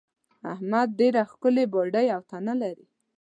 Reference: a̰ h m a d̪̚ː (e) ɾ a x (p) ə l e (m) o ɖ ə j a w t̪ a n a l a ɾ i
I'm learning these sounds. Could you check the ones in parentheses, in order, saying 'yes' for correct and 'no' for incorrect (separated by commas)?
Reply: yes, no, no